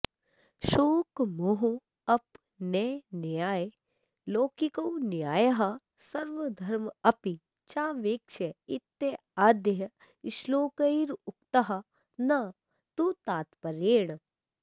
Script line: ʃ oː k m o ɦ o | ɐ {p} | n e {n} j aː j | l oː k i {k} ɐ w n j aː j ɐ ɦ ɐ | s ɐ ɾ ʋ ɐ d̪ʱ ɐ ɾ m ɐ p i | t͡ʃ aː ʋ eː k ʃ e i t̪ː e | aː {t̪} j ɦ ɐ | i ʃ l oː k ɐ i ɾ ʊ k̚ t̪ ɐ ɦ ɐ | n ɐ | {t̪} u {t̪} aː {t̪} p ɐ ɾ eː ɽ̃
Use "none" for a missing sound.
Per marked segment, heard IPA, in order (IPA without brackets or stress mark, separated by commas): p, n, k, d̪, t̪, t̪, t̪